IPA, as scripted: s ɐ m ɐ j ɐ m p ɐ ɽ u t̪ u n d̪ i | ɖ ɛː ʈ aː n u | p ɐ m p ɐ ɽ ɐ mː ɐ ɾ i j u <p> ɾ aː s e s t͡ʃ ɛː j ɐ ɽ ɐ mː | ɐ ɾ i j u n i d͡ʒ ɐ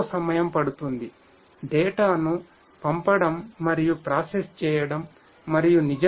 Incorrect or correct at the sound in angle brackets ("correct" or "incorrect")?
correct